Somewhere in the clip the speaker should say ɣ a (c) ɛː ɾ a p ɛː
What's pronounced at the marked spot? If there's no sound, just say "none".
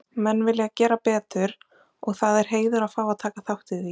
c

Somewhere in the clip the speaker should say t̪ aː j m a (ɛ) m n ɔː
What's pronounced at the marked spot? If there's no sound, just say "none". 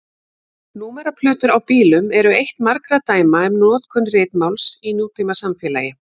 ɛ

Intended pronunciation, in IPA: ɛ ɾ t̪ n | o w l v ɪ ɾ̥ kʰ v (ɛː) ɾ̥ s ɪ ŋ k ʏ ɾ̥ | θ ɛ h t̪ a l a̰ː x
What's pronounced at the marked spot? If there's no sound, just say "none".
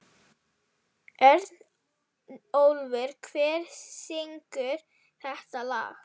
ɛː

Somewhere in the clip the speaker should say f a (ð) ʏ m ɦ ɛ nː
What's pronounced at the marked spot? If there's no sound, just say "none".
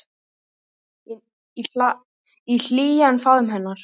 ð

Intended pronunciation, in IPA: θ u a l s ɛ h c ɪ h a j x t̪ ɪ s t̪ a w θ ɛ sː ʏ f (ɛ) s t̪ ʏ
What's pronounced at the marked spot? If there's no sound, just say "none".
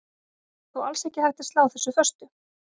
œ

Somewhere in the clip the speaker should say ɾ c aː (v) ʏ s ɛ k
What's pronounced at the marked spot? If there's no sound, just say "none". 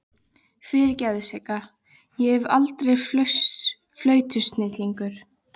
ð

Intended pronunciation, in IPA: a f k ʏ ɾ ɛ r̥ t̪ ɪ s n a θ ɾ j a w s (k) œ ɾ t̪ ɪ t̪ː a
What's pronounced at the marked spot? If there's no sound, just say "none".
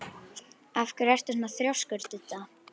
k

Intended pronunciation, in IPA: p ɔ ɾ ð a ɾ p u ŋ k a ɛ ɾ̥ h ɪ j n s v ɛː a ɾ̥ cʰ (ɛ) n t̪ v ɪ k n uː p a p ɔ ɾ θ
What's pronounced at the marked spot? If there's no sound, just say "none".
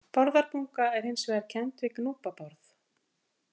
ɛ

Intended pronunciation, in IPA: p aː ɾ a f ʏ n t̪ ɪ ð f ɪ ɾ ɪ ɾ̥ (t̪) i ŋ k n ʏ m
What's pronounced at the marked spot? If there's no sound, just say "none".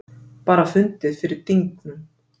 t̪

